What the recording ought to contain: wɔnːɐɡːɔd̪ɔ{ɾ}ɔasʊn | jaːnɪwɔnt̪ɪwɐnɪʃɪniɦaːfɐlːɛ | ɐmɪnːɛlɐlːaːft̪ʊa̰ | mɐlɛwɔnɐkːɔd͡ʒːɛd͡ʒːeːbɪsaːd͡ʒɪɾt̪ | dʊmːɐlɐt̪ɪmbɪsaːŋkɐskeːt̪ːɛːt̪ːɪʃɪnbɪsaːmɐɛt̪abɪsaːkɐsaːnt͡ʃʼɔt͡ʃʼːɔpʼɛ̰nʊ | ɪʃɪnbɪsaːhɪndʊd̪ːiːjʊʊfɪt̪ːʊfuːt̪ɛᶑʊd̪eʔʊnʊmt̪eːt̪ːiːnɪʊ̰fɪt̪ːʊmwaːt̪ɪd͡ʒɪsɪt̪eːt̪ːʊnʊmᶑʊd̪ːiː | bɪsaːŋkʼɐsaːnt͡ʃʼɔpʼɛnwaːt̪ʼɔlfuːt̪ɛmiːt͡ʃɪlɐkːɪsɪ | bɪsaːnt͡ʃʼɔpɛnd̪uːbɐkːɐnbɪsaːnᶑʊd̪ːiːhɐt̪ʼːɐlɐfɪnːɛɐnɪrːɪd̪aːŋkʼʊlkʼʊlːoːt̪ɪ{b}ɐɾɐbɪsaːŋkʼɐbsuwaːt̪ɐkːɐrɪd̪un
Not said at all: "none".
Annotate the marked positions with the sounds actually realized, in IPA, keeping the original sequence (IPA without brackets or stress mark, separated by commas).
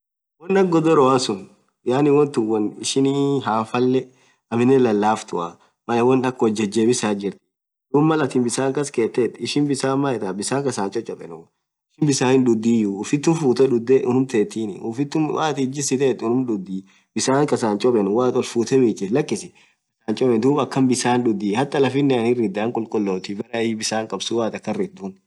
ɾ, b